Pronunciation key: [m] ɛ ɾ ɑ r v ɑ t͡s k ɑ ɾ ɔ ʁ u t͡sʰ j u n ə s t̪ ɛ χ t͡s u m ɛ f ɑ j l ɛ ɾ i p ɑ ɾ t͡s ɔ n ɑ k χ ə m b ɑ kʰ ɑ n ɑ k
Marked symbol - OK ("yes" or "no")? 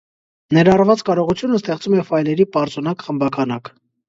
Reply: no